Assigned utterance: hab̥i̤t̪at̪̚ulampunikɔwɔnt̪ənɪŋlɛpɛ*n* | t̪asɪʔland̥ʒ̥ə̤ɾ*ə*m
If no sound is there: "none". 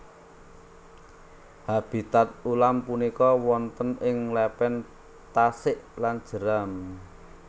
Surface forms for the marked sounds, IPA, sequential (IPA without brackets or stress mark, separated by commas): n, a